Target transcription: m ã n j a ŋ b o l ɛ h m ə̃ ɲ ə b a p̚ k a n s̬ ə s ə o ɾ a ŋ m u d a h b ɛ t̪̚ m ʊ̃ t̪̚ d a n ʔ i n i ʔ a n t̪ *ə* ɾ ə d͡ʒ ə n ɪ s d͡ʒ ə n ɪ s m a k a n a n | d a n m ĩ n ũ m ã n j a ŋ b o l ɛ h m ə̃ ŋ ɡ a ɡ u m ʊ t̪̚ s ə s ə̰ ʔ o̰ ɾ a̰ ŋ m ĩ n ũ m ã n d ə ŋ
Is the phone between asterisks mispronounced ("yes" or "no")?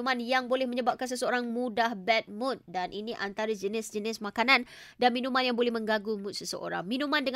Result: yes